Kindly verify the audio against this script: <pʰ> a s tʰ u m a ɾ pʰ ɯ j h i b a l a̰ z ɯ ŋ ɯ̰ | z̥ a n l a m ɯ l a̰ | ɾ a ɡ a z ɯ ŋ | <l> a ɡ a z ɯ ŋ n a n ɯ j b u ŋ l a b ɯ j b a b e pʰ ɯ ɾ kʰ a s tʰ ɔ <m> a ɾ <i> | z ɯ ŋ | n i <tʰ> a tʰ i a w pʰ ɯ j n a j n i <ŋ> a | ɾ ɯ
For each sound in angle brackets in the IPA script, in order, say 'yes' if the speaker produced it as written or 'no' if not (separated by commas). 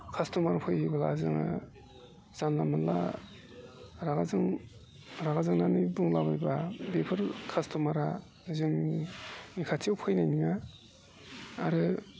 no, no, yes, no, no, yes